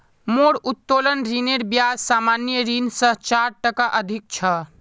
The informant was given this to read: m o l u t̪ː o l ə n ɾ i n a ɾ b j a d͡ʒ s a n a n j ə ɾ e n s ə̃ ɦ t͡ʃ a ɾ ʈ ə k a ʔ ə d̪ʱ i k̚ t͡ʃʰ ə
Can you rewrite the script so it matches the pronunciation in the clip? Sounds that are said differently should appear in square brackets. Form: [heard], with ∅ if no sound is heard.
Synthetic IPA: m o [ɽ] u t̪ː o l ə n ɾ i n [e] ɾ b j a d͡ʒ s a [m] a n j ə ɾ [i] n s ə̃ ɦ t͡ʃ a ɾ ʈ ə k a ʔ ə d̪ʱ i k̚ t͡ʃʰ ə